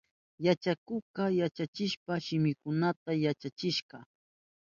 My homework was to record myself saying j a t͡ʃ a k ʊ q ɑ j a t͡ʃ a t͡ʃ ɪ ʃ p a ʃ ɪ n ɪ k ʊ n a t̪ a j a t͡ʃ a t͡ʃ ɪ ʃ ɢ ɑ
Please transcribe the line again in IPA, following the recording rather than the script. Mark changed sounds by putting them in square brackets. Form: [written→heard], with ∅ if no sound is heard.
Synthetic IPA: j a t͡ʃ a k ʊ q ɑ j a t͡ʃ a t͡ʃ ɪ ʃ p a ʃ ɪ [n→m] ɪ k ʊ n a t̪ a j a t͡ʃ a t͡ʃ ɪ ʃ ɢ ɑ